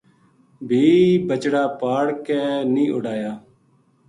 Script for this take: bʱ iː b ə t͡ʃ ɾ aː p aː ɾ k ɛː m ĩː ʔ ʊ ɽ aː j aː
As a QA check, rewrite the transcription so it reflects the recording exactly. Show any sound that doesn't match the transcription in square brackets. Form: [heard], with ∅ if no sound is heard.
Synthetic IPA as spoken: bʱ iː b ə t͡ʃ [ɽ] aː p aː [ɽ] k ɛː [n] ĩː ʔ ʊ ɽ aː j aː